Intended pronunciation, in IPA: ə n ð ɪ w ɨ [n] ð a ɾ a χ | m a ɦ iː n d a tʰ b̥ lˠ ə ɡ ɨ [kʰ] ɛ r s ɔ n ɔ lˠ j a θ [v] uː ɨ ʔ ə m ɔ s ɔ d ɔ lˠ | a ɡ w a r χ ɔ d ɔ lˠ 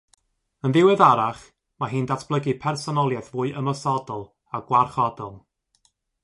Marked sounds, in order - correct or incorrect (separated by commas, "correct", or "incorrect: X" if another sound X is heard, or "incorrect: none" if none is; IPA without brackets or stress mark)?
incorrect: none, incorrect: pʰ, correct